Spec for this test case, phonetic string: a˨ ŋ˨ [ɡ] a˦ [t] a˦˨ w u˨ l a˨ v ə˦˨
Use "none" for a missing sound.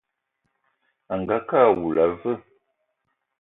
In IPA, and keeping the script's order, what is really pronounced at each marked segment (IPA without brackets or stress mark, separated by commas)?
ɡ, k